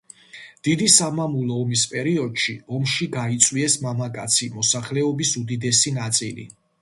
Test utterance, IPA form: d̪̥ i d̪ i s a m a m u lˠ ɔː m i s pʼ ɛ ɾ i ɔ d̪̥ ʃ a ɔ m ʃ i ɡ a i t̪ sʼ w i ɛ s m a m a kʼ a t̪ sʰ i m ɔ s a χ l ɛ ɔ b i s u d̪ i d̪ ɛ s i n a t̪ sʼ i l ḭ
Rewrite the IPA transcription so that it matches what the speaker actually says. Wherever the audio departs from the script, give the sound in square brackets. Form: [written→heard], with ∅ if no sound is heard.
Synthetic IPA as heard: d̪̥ i d̪ i s a m a m u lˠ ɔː m i s pʼ ɛ ɾ i ɔ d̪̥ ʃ [a→i] ɔ m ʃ i ɡ a i t̪ sʼ w i ɛ s m a m a kʼ a t̪ sʰ i m ɔ s a χ l ɛ ɔ b i s u d̪ i d̪ ɛ s i n a t̪ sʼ i l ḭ